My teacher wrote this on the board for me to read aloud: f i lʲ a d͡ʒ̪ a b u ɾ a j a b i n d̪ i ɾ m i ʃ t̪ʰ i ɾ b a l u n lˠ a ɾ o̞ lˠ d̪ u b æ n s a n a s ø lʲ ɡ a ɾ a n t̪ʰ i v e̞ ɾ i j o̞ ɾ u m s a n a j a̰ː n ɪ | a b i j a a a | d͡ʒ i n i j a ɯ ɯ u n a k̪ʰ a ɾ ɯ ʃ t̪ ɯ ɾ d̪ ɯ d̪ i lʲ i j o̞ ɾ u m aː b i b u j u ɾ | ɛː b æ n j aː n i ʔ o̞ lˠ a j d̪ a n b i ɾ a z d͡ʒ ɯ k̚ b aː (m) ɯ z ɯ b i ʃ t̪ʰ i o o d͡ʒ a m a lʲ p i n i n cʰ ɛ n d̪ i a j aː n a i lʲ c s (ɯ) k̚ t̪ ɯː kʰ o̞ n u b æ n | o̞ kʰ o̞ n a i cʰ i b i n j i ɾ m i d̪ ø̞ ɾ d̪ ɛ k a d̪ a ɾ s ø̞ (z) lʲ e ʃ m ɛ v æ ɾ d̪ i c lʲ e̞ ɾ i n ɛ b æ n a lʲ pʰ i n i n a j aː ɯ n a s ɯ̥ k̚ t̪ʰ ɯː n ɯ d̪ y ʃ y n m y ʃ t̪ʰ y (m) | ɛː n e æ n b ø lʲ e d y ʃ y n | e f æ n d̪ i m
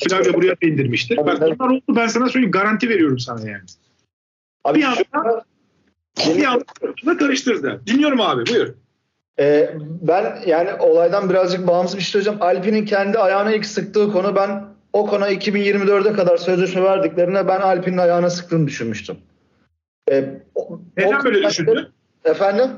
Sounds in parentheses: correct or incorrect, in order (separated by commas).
correct, correct, correct, correct